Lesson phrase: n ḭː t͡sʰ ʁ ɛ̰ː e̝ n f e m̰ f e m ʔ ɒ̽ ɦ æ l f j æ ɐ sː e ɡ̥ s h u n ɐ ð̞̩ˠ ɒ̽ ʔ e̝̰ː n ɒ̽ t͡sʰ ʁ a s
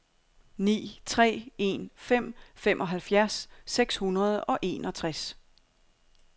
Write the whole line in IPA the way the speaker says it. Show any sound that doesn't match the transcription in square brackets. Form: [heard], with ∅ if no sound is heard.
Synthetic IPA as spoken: n ḭː t͡sʰ ʁ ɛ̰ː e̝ n f e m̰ f e m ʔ ɒ̽ ɦ æ l f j æ ɐ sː e ɡ̥ s h u n ɐ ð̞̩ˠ ɒ̽ ʔ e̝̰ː n ɒ̽ t͡sʰ ʁ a s